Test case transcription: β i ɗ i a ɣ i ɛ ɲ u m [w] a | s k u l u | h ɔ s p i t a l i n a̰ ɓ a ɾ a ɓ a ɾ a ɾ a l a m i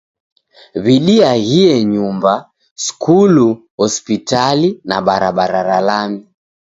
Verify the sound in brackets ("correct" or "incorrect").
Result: incorrect